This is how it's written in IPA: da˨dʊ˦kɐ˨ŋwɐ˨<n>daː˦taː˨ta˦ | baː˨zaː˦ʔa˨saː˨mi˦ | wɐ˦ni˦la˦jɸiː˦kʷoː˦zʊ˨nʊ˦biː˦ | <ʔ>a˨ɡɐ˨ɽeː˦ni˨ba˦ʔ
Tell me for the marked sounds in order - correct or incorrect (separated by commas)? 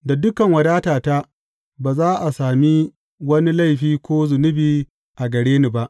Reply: incorrect, correct